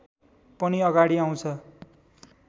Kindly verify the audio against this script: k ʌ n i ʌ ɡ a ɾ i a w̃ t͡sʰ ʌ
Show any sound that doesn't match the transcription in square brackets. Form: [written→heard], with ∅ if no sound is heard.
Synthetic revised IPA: [k→p] ʌ n i ʌ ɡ a [ɾ→ɽ] i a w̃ t͡sʰ ʌ